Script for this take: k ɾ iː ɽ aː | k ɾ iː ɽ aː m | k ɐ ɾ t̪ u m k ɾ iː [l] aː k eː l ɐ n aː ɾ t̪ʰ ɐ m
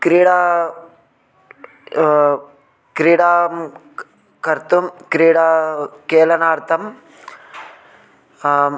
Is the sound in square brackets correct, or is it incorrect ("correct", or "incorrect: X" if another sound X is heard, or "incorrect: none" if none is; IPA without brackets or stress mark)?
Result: incorrect: ɽ